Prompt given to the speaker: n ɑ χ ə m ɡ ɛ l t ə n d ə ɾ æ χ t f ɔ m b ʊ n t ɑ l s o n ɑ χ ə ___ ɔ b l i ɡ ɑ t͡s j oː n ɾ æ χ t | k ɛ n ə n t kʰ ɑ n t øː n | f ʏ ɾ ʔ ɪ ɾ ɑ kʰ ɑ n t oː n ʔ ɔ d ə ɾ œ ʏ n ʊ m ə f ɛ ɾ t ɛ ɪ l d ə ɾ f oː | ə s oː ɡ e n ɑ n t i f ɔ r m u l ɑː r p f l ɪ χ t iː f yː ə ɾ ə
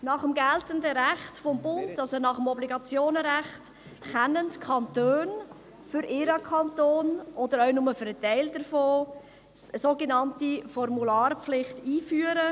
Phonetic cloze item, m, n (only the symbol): m